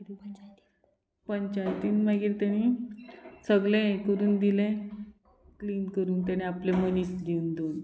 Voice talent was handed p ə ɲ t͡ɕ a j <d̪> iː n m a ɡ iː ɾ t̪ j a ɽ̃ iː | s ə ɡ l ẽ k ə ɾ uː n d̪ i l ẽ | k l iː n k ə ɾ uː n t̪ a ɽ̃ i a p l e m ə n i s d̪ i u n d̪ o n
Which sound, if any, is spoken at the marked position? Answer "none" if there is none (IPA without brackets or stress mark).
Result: t̪